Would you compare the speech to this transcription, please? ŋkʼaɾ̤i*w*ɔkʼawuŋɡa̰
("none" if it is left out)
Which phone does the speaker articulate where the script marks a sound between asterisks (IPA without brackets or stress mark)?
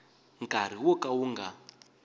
w